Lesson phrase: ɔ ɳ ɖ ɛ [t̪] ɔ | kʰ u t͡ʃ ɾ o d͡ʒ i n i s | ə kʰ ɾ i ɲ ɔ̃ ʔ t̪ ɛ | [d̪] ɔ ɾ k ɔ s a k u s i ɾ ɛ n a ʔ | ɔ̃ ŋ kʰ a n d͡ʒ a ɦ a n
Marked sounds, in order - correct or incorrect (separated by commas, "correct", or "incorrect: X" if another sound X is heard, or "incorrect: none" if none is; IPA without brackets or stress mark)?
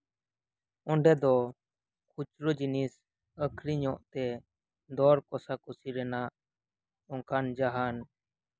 incorrect: d̪, correct